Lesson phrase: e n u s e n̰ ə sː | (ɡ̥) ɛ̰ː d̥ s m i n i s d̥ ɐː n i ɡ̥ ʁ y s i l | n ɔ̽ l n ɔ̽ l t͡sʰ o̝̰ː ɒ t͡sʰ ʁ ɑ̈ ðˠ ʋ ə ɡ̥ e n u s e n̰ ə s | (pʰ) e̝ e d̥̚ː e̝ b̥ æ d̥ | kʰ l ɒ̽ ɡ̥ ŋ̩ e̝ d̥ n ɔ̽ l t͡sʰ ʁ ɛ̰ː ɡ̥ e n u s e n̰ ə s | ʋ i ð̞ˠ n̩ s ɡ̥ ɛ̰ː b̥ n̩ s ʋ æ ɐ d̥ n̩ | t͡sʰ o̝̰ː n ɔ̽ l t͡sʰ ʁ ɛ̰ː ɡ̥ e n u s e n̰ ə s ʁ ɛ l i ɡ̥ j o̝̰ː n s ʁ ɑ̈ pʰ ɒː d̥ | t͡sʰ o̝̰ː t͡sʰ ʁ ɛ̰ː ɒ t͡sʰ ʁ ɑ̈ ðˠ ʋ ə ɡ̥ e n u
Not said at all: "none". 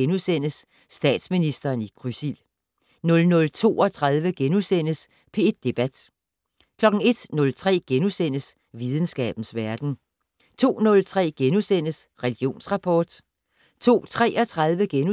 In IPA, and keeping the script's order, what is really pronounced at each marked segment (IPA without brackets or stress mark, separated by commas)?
d̥, pʰ